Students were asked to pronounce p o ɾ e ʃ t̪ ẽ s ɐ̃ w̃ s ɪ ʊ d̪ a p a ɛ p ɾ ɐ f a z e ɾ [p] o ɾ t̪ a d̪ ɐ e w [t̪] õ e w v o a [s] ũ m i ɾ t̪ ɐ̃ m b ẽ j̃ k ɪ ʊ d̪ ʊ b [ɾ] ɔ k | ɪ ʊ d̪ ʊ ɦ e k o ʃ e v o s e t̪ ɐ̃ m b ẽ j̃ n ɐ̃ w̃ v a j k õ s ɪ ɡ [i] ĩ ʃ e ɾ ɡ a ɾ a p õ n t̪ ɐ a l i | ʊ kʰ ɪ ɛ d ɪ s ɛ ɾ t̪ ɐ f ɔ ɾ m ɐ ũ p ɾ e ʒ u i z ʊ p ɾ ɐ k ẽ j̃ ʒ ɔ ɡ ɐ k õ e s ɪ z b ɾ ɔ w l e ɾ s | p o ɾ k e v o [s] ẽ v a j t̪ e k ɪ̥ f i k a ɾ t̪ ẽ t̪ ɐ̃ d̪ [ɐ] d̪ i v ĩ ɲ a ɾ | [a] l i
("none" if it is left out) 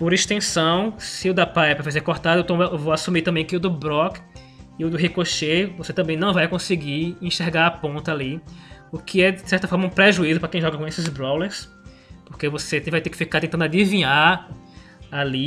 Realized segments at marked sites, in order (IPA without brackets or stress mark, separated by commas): k, t̪, s, ɾ, i, s, a, a